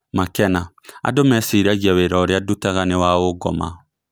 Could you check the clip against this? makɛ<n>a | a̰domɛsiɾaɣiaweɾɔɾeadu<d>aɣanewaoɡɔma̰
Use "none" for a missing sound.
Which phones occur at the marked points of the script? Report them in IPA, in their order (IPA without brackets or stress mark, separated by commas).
n, t